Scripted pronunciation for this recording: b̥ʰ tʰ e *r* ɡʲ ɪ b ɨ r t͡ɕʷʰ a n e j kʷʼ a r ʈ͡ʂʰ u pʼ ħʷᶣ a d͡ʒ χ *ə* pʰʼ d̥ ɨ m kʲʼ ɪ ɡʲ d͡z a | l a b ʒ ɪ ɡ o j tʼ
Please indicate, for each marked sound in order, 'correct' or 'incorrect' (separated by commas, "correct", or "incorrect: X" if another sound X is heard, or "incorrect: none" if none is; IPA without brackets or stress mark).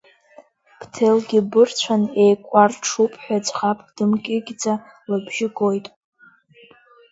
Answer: incorrect: l, incorrect: a